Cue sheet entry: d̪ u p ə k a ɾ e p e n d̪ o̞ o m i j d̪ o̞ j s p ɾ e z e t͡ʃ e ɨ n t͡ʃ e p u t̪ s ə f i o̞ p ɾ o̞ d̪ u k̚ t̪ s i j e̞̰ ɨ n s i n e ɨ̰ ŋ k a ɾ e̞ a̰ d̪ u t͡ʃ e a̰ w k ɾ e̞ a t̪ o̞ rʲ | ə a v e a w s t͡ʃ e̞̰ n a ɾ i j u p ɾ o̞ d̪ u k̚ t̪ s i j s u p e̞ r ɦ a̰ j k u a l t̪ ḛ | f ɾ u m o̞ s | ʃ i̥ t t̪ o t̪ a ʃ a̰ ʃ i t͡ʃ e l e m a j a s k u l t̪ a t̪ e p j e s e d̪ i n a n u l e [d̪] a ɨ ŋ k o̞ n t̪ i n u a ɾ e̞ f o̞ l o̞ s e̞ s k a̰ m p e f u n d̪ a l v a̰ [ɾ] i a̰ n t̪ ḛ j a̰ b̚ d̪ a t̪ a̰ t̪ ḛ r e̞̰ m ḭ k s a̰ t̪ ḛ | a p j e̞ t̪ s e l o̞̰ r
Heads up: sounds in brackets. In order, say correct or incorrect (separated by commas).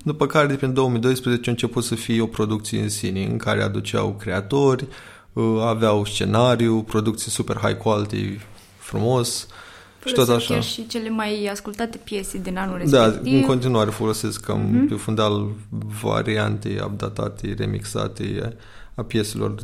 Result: correct, correct